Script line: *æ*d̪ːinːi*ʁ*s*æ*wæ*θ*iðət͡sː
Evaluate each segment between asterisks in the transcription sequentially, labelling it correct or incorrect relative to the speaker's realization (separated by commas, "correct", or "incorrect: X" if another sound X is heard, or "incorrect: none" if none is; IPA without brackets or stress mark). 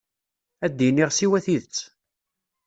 correct, correct, incorrect: i, correct